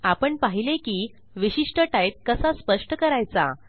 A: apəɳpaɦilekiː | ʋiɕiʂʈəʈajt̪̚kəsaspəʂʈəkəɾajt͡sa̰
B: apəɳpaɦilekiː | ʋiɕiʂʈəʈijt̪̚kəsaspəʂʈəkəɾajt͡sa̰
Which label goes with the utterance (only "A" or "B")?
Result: A